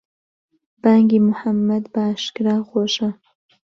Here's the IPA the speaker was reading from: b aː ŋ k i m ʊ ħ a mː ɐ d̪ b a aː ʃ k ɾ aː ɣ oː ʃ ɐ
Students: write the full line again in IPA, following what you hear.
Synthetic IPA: b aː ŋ ɡ i m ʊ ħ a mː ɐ d̪ b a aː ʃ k ɾ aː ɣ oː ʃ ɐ